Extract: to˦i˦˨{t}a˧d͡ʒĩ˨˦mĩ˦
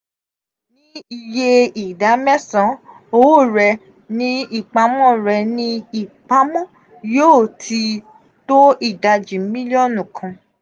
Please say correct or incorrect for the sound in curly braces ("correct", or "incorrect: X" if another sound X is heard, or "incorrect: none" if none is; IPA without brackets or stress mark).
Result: incorrect: d